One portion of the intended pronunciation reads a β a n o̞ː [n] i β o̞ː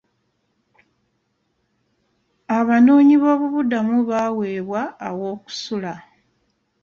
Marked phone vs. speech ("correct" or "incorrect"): incorrect